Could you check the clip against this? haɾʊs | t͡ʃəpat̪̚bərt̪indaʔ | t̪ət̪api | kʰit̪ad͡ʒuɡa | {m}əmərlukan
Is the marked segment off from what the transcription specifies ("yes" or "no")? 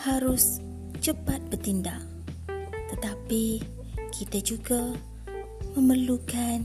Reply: no